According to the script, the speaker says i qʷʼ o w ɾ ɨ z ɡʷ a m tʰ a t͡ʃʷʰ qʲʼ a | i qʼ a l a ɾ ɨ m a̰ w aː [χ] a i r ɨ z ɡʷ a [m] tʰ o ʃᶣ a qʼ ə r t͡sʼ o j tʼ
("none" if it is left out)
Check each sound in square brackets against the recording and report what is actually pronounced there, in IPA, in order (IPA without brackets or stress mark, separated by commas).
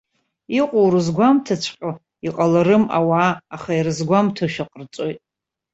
χ, m